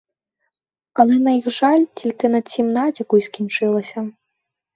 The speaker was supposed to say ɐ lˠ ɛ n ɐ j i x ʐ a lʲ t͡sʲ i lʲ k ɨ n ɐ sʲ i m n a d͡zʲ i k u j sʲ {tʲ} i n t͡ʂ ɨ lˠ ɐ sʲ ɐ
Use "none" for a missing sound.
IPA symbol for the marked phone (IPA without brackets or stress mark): kʲ